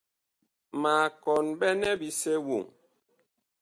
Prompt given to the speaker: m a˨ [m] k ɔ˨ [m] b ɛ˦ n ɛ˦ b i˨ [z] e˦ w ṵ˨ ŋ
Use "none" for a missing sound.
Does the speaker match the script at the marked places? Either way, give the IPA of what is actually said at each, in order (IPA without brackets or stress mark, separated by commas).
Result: none, n, s